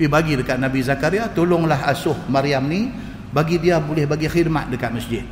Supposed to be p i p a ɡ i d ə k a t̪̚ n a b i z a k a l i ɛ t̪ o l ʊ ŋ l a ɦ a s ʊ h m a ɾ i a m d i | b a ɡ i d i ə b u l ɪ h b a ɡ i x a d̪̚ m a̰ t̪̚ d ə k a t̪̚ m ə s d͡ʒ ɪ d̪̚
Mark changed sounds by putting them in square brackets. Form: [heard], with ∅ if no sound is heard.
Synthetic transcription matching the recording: p i [b] a ɡ i d ə k a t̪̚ n a b i z a k a [ɾ] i [a] t̪ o l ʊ ŋ l a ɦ a s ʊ h m a ɾ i a m [n] i | b a ɡ i d i [a] b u l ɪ h b a ɡ i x [i] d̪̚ m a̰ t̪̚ d ə k a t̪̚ m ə s d͡ʒ ɪ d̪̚